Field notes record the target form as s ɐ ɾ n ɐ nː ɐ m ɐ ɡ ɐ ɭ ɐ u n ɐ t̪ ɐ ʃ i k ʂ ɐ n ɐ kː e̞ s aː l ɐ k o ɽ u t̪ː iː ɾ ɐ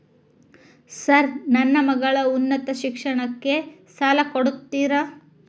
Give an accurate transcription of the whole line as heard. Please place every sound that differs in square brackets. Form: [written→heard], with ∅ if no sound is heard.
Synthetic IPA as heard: s ɐ ɾ n ɐ nː ɐ m ɐ ɡ ɐ ɭ ɐ u [n→nː] ɐ t̪ ɐ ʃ i k ʂ ɐ [n→ɳ] ɐ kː e̞ s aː l ɐ k o ɽ u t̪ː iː ɾ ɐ